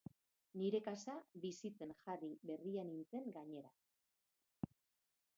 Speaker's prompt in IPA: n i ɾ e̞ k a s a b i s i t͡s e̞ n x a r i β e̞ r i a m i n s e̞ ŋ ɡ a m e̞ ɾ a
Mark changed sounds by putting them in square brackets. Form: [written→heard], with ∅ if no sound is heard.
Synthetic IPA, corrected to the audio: n i ɾ e̞ k a s a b i s i t͡s e̞ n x a r i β e̞ r i a [m→n] i n [s→t͡s] e̞ ŋ ɡ a [m→ɲ] e̞ ɾ a

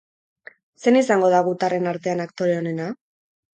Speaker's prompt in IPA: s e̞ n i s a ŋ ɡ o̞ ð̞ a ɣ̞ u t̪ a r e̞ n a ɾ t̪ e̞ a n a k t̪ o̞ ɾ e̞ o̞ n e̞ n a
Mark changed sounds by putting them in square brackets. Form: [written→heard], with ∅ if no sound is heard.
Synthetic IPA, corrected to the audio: s e̞ n i s a ŋ ɡ o̞ ð̞ a ɣ̞ u t̪ a r e̞ n a ɾ t̪ e̞ a n a k t̪ o̞ ɾ e̞ o̞ n e̞ n a

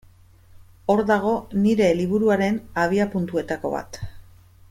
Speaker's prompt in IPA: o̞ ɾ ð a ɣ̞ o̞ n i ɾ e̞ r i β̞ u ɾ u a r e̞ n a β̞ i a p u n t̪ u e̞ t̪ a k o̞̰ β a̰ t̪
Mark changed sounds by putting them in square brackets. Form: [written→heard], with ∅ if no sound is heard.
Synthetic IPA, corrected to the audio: o̞ ɾ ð a ɣ̞ o̞ n i ɾ e̞ [r→l] i β̞ u ɾ u a [r→ɾ] e̞ n a β̞ i a p u n t̪ u e̞ t̪ a k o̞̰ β a̰ t̪

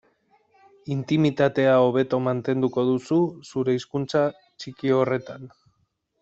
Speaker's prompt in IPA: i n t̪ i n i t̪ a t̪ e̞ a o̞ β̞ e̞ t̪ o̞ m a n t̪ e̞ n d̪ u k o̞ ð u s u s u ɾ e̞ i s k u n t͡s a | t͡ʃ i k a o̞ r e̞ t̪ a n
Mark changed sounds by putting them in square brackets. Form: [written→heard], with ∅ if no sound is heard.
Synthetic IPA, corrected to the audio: i n t̪ i [n→m] i t̪ a t̪ e̞ a o̞ β̞ e̞ t̪ o̞ m a n t̪ e̞ n d̪ u k o̞ ð u s u s u ɾ e̞ i s k u n t͡s a | t͡ʃ i k [a→i] o̞ r e̞ t̪ a n

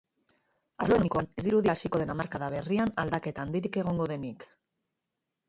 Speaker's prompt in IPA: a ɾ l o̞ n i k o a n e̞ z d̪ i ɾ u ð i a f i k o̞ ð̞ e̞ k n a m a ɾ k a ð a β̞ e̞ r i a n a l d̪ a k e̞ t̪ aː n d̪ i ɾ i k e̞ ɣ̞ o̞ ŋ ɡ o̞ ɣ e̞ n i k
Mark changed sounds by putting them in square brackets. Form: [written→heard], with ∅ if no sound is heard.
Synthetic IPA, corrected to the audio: a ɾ l o̞ n i k o a n e̞ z d̪ i ɾ u ð i a [f→s] i k o̞ ð̞ e̞ [k→∅] n a m a ɾ k a ð a β̞ e̞ r i a n a l d̪ a k e̞ t̪ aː n d̪ i ɾ i k e̞ ɣ̞ o̞ ŋ ɡ o̞ [ɣ→ð] e̞ n i k

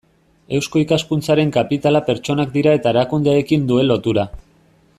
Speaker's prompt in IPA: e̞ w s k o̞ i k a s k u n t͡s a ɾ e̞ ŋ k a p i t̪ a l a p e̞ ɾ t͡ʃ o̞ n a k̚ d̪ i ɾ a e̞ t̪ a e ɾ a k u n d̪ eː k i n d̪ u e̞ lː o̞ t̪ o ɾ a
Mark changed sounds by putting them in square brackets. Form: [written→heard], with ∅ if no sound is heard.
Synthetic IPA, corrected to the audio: e̞ w s k o̞ i k a s k u n t͡s a ɾ e̞ ŋ k a p i t̪ a l a p e̞ ɾ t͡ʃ o̞ n a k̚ d̪ i ɾ a e̞ t̪ a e ɾ a k u n d̪ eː k i n d̪ u e̞ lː o̞ t̪ [o→u] ɾ a

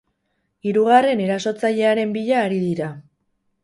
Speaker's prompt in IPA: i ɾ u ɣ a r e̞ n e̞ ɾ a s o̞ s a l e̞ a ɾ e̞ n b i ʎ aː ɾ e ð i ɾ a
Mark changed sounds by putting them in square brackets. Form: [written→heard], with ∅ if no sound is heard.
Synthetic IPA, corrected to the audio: i ɾ u ɣ a r e̞ n e̞ ɾ a s o̞ [s→t͡s] a [l→ʎ] e̞ a ɾ e̞ [n→m] b i ʎ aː ɾ [e→i] ð i ɾ a

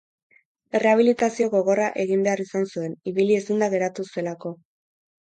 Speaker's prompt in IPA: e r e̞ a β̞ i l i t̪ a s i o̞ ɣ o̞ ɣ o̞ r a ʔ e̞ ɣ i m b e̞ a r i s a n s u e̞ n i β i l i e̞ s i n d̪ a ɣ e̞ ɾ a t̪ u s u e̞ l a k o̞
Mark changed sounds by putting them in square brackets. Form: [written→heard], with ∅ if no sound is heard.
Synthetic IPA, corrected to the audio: e r e̞ a β̞ i l i t̪ a s i o̞ ɣ o̞ ɣ o̞ r a ʔ e̞ ɣ i m b e̞ a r i s a n s u e̞ n i β i l i e̞ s i n d̪ a ɣ e̞ ɾ a t̪ u s u e̞ l a k o̞

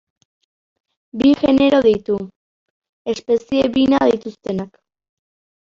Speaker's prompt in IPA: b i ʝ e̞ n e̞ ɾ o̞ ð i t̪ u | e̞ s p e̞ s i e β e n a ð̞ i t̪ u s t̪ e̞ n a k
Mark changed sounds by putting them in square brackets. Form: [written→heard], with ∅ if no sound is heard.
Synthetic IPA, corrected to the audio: b i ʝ e̞ n e̞ ɾ o̞ ð i t̪ u | e̞ s p e̞ s i e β [e→i] n a ð̞ i t̪ u s t̪ e̞ n a k

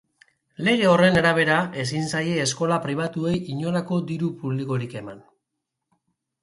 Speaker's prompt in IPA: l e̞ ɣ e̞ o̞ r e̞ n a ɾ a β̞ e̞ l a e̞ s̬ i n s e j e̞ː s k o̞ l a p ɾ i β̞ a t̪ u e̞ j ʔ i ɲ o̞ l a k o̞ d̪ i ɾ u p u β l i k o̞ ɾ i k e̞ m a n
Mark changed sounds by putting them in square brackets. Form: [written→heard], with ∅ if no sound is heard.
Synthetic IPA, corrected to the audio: l e̞ ɣ e̞ o̞ r e̞ n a ɾ a β̞ e̞ [l→ɾ] a e̞ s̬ i n s [e→a] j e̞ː s k o̞ l a p ɾ i β̞ a t̪ u e̞ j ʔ i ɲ o̞ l a k o̞ d̪ i ɾ u p u β l i k o̞ ɾ i k e̞ m a n

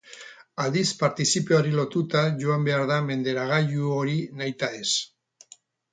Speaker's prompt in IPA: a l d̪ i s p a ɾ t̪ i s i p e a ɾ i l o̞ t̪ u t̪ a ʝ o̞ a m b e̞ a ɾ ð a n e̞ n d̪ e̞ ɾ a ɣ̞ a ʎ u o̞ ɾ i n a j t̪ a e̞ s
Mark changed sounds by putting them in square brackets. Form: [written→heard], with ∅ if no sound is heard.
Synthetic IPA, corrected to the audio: a l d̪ i s p a ɾ t̪ i s i p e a ɾ i l o̞ t̪ u t̪ a ʝ o̞ a m b e̞ a ɾ ð a [n→m] e̞ n d̪ e̞ ɾ a ɣ̞ a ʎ u o̞ ɾ i n a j t̪ a e̞ s

